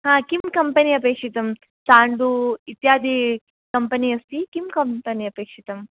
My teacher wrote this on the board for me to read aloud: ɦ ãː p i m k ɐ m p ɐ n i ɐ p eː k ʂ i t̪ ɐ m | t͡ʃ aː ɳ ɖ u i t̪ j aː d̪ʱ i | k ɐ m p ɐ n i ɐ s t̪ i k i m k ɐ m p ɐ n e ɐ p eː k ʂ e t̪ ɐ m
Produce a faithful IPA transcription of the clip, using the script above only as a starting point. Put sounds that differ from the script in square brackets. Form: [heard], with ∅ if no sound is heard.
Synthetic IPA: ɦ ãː [k] i m k ɐ m p ɐ n i ɐ p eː k ʂ i t̪ ɐ m | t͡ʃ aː ɳ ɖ u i t̪ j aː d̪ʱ i | k ɐ m p ɐ n i ɐ s t̪ i k i m k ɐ m p ɐ n [i] ɐ p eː k ʂ [i] t̪ ɐ m